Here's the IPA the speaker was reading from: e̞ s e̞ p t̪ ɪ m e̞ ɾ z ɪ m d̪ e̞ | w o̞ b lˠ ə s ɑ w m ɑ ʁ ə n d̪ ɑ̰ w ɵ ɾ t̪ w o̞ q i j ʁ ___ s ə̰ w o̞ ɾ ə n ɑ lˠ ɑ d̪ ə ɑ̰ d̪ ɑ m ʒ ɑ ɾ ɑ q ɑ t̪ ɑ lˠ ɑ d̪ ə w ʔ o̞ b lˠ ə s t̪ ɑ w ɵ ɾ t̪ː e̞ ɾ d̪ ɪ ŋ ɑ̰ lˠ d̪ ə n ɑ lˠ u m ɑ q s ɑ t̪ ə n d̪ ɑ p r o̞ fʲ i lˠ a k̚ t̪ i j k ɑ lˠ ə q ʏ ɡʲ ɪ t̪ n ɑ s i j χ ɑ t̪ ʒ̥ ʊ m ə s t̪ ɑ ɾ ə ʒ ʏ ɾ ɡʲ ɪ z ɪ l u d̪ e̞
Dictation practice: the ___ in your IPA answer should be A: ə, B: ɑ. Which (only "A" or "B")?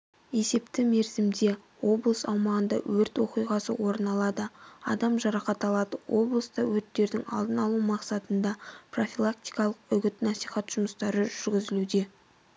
B